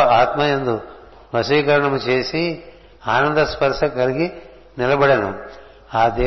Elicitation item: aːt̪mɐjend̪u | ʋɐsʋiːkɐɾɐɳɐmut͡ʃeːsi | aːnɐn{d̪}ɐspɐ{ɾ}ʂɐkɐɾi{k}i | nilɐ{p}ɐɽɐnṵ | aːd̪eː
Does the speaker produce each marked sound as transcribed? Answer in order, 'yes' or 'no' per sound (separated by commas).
yes, yes, no, no